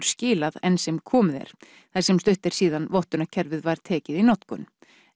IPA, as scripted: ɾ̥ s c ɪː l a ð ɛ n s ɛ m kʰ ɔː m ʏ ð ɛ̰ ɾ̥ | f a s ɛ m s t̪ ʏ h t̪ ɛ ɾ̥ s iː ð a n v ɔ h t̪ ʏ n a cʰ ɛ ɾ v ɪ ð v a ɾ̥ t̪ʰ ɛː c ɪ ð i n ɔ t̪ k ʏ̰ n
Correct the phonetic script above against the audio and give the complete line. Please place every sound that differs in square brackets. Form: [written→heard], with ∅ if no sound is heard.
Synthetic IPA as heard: ɾ̥ s c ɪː l a ð ɛ n s ɛ m kʰ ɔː m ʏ ð ɛ̰ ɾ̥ | [f→θ] a s ɛ m s t̪ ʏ h t̪ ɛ ɾ̥ s iː ð a n v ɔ h t̪ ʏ n a cʰ ɛ ɾ v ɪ ð v a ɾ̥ t̪ʰ ɛː c ɪ ð i n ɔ t̪ k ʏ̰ n